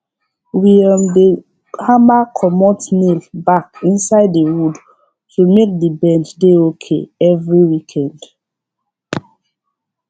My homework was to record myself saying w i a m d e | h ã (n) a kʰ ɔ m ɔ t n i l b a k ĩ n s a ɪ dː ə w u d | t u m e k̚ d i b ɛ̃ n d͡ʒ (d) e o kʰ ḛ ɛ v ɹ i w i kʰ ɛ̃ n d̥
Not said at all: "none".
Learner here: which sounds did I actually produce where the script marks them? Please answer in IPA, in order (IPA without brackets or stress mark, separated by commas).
m, d